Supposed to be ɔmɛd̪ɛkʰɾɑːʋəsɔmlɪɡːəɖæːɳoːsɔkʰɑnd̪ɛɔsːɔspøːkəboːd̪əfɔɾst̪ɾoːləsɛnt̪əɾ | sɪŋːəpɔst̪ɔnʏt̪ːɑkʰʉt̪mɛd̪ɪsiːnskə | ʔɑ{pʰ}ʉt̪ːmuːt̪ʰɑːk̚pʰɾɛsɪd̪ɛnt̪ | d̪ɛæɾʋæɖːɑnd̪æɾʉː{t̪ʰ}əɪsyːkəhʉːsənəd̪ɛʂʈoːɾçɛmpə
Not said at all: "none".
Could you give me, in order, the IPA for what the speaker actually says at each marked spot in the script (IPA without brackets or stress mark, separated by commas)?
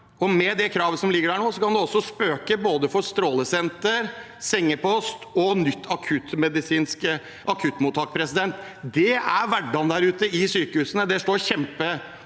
kʰ, t̪